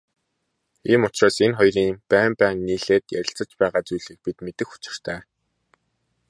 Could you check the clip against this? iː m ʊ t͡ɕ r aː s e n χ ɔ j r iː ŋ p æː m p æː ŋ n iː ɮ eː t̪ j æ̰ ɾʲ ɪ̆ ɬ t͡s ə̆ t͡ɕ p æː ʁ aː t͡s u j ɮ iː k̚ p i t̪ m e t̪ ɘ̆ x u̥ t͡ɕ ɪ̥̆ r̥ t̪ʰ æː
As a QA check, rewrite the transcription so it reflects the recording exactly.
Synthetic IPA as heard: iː m ʊ t͡ɕ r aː s e n χ ɔ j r iː ŋ p æː m p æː ŋ n iː ɮ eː t̪ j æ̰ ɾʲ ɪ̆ ɬ t͡s ə̆ t͡ɕ p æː ʁ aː t͡s u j ɮ iː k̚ p i t̪ m e t̪ ɘ̆ x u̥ t͡ɕ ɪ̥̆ r̥ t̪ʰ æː